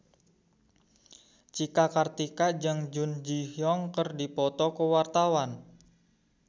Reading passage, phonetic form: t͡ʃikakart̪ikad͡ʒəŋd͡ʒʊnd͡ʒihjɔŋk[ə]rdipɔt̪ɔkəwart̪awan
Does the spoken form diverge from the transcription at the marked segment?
no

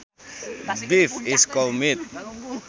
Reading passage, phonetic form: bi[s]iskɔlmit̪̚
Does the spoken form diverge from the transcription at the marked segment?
yes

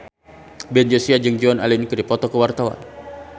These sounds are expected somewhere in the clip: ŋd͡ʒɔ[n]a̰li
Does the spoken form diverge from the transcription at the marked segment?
no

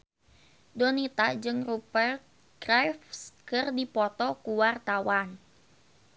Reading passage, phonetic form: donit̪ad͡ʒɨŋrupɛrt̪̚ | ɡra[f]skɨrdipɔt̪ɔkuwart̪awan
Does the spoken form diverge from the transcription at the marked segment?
no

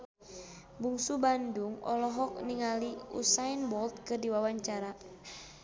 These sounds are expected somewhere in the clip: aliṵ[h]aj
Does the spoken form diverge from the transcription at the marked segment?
yes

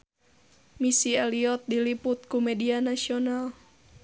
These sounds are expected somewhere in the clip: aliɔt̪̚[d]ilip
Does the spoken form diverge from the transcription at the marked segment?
no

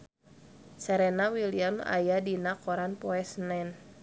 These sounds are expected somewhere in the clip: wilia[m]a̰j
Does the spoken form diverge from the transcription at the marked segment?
no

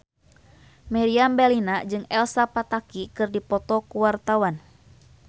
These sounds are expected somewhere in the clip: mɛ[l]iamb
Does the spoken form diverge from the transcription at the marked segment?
yes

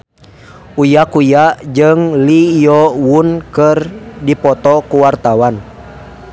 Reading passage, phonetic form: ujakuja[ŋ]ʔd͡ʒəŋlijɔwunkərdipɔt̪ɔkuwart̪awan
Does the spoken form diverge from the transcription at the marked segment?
yes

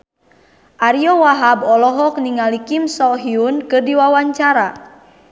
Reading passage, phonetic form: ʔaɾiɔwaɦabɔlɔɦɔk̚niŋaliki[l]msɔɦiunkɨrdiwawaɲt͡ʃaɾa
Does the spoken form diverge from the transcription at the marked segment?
yes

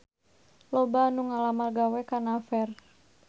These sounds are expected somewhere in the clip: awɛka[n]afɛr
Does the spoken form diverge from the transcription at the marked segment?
no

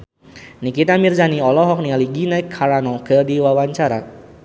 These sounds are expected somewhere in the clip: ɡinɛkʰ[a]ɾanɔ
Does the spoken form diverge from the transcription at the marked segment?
no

